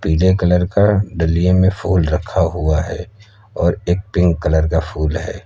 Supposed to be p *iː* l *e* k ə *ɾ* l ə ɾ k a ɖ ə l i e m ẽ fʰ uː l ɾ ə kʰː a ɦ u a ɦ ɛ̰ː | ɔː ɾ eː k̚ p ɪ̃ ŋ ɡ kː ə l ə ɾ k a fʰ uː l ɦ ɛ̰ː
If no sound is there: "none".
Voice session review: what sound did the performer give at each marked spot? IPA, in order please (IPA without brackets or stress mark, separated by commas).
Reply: iː, e, none